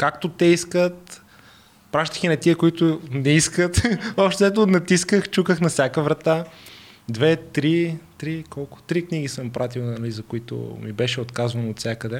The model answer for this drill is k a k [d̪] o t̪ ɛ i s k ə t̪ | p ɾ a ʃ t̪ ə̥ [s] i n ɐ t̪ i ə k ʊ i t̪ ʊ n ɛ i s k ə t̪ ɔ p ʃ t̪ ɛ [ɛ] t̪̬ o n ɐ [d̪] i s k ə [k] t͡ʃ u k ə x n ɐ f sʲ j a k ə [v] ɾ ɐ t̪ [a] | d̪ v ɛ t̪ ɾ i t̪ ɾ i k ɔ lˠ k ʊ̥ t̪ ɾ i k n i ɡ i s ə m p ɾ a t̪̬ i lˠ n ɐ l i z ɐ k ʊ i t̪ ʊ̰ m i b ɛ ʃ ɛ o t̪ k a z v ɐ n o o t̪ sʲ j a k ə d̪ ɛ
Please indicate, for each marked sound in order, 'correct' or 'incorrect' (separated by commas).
incorrect, incorrect, correct, incorrect, incorrect, correct, correct